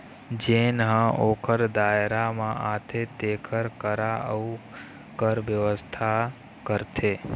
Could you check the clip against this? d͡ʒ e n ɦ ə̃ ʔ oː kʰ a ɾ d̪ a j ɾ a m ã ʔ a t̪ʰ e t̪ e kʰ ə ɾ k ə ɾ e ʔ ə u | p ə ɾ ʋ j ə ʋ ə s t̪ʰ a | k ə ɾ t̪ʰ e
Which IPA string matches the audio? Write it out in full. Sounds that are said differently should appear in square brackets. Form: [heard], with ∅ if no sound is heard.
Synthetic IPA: d͡ʒ e n ɦ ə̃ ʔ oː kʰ [ə] ɾ d̪ a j ɾ a m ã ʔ a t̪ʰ e t̪ e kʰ ə ɾ k ə ɾ [a] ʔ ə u | [k] ə ɾ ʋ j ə ʋ ə s t̪ʰ a | k ə ɾ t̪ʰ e